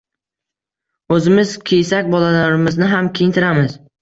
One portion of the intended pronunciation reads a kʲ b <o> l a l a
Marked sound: incorrect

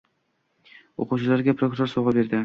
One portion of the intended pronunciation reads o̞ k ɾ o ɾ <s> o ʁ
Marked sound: correct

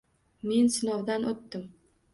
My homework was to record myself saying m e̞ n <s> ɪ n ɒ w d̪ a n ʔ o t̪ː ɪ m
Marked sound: correct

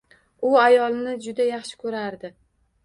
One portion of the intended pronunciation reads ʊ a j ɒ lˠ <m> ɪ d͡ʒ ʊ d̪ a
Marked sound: incorrect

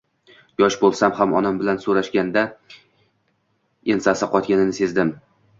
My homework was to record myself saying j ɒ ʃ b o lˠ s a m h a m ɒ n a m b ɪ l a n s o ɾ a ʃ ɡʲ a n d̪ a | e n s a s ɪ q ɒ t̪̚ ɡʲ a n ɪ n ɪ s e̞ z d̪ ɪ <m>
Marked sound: correct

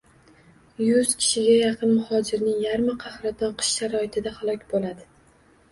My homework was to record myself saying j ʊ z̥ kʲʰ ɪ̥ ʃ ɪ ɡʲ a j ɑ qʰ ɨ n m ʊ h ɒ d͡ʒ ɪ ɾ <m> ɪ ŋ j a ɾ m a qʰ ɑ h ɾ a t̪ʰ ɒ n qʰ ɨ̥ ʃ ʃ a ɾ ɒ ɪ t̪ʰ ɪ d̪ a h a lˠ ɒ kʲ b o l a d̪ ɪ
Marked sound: incorrect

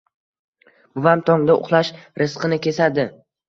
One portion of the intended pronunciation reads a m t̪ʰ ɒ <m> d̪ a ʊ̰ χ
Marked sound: incorrect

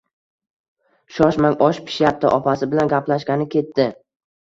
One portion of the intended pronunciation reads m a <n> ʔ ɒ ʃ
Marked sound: incorrect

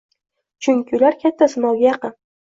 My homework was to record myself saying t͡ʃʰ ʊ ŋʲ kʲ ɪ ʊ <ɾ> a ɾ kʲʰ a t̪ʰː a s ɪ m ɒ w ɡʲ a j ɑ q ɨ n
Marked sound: incorrect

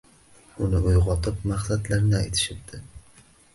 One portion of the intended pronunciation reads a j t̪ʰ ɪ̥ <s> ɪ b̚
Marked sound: incorrect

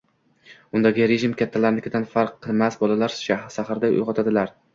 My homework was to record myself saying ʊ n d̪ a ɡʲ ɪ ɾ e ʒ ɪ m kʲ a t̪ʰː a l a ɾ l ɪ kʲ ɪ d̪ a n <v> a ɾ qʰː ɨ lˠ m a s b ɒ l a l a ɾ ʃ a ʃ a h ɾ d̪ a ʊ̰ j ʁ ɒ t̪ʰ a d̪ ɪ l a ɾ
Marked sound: incorrect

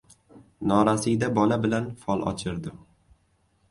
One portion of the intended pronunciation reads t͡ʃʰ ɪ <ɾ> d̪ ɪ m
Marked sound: correct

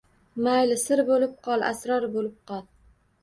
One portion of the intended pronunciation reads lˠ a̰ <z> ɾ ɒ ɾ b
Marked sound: incorrect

